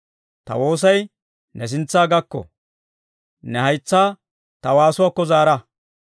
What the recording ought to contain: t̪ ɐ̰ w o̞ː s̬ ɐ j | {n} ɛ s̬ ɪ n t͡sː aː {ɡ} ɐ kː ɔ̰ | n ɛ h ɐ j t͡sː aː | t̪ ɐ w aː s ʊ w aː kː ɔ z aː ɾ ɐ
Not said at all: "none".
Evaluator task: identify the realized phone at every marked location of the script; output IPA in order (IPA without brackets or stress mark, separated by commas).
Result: n, ɡ